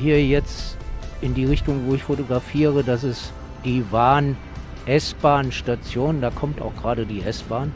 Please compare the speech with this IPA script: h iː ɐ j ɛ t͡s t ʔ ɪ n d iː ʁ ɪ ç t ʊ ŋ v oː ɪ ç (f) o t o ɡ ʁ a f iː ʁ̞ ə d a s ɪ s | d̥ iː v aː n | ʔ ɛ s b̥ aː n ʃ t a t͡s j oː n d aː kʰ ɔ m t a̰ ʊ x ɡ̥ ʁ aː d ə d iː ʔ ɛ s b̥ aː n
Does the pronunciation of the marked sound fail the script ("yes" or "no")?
no